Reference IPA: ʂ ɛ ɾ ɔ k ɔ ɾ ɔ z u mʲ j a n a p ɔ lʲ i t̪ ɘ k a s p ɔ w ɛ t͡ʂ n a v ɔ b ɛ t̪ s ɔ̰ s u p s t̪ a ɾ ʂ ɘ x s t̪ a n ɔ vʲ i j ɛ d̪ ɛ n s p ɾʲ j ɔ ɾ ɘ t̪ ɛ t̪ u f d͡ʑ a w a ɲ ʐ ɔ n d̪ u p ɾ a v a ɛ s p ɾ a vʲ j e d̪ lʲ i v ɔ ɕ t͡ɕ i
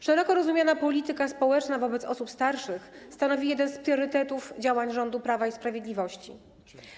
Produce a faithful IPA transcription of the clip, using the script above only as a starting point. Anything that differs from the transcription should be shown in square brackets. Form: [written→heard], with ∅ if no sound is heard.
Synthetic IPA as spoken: ʂ ɛ ɾ ɔ k ɔ ɾ ɔ z u mʲ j a n a p ɔ lʲ i t̪ ɘ k a s p ɔ w ɛ t͡ʂ n a v ɔ b ɛ t̪ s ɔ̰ s u p s t̪ a ɾ ʂ ɘ x s t̪ a n ɔ vʲ i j ɛ d̪ ɛ n s p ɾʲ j ɔ ɾ ɘ t̪ ɛ t̪ u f d͡ʑ a w a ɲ ʐ ɔ n d̪ u p ɾ a v a [ɛ→i] s p ɾ a vʲ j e d̪ lʲ i v ɔ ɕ t͡ɕ i